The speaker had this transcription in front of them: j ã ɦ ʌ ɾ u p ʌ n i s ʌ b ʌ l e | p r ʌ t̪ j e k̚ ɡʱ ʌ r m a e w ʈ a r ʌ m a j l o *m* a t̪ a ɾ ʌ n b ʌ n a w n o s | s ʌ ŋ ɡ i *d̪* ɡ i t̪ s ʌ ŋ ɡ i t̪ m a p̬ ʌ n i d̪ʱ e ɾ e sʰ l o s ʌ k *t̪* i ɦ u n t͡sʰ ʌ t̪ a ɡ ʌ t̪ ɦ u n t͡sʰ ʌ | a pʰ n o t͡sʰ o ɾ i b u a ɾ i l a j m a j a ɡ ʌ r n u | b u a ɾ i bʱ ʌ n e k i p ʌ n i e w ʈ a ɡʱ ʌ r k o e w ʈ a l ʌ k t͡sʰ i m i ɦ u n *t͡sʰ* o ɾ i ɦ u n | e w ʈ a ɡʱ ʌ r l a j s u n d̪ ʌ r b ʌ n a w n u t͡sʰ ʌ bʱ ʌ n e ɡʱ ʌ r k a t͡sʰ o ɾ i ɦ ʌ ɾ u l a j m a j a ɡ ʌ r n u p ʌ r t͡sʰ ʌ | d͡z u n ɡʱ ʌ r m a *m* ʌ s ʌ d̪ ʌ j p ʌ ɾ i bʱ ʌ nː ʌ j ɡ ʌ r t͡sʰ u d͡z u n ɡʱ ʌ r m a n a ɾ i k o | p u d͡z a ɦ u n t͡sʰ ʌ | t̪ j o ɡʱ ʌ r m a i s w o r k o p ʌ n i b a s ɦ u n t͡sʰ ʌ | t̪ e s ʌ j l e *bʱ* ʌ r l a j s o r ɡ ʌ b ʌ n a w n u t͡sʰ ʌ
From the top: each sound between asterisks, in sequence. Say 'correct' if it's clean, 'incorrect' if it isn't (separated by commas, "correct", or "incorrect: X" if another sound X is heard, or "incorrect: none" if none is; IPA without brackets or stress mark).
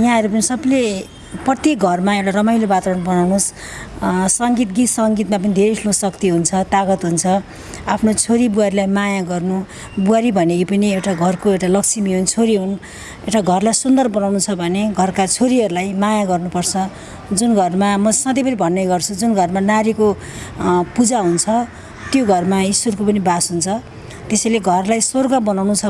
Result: incorrect: b, incorrect: t̪, correct, correct, correct, incorrect: ɡʱ